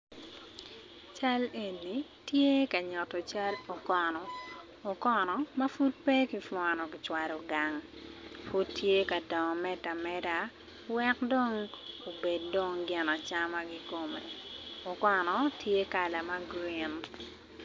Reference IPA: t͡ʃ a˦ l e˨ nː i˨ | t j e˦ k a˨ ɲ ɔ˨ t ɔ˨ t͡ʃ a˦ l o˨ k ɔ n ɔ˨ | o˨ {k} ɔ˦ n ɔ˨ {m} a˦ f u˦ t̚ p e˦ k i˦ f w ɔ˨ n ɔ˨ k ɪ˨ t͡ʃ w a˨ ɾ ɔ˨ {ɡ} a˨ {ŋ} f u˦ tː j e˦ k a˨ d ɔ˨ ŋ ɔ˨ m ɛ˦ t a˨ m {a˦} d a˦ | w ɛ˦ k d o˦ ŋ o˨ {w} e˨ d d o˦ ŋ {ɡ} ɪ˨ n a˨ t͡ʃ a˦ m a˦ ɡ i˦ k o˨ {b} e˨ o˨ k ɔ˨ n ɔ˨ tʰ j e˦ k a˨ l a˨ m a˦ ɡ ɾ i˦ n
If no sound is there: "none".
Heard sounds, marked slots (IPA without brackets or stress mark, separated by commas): k, m, ɡ, ŋ, ɛ˦, b, ɡ, m